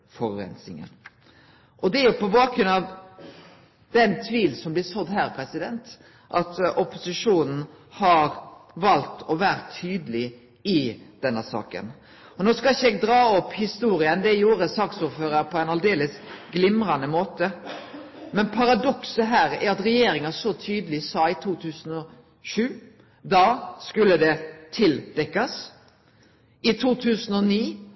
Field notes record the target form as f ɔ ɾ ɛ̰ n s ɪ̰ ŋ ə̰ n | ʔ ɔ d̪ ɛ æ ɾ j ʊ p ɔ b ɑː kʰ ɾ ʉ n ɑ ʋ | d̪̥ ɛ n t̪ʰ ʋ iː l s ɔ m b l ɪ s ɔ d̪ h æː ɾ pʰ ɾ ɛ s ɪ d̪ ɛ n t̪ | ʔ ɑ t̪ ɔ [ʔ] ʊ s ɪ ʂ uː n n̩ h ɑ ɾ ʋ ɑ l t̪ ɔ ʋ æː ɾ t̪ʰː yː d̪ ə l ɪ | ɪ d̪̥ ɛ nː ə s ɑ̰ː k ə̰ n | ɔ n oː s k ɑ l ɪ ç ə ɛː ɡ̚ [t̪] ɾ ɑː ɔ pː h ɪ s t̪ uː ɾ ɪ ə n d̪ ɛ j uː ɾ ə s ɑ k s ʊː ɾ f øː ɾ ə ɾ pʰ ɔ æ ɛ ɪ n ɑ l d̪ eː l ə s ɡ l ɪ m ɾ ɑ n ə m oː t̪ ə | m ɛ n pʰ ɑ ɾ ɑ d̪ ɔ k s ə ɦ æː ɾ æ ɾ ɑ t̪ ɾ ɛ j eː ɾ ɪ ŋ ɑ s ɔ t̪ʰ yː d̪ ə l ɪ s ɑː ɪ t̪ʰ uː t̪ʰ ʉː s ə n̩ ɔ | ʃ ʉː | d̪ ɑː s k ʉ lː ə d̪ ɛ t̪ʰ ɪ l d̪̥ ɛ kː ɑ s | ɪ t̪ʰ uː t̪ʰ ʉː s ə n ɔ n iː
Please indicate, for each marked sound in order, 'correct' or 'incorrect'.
incorrect: p, incorrect: d̪

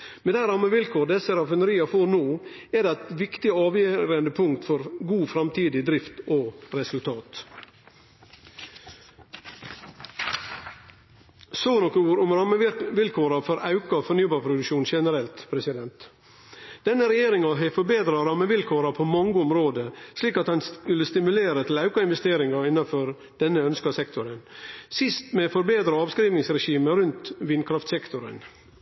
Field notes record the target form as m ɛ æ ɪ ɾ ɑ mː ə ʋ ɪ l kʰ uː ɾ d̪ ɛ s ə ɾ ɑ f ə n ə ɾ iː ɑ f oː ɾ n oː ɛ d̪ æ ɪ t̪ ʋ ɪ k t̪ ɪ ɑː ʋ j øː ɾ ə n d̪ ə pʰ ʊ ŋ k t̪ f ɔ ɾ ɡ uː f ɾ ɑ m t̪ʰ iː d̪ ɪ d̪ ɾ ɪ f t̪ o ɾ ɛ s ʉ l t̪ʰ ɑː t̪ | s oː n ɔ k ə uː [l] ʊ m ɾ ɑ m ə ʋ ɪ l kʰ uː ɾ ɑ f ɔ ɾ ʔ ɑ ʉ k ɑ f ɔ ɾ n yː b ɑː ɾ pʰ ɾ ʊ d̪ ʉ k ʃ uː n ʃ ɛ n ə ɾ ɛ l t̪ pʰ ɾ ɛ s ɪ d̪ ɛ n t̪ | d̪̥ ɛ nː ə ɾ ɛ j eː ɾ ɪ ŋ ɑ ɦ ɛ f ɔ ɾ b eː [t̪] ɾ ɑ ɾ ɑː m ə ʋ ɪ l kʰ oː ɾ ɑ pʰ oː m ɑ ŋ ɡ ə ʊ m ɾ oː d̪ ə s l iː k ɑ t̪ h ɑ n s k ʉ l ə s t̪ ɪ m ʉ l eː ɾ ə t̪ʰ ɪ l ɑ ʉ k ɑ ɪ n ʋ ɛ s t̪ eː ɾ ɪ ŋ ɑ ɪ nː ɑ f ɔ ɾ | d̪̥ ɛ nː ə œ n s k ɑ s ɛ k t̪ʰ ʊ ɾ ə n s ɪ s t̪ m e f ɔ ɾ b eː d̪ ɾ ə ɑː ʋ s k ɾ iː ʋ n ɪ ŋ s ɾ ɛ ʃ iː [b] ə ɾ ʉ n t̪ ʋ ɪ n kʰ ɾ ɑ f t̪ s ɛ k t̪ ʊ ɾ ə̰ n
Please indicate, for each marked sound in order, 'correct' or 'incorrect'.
incorrect: ɾ, incorrect: d̪, incorrect: m

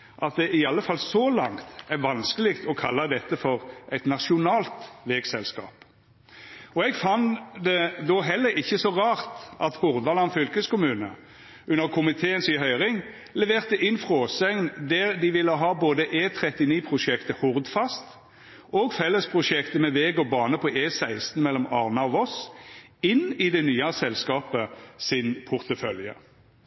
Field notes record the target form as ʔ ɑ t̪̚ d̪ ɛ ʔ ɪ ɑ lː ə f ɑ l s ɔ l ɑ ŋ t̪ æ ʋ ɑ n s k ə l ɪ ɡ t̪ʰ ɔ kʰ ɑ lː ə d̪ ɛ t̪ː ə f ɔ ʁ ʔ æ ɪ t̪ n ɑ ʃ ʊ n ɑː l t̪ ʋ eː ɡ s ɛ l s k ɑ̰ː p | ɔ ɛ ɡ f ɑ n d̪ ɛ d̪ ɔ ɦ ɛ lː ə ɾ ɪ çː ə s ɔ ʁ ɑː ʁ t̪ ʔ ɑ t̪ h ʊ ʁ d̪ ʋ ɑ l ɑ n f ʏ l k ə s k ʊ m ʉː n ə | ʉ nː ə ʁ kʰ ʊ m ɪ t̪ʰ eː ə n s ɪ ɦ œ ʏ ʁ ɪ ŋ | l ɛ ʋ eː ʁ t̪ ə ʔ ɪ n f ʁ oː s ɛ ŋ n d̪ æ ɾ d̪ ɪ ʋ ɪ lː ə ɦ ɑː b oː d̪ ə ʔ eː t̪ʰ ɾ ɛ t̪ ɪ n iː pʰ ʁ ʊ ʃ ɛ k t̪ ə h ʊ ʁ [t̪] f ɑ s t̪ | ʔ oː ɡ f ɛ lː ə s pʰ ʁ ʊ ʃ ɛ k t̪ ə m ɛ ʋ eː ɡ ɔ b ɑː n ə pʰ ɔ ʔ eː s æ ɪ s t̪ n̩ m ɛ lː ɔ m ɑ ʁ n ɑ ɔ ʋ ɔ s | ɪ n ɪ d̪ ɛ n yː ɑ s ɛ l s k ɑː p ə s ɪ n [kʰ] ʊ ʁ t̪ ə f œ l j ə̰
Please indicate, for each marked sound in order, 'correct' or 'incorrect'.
incorrect: d̪, incorrect: pʰ

